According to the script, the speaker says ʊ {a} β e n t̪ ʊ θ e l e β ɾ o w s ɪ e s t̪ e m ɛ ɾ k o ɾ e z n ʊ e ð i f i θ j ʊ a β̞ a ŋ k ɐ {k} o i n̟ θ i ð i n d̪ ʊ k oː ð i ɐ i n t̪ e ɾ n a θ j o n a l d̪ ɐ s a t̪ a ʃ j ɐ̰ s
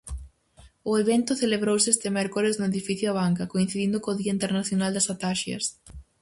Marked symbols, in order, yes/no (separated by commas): no, yes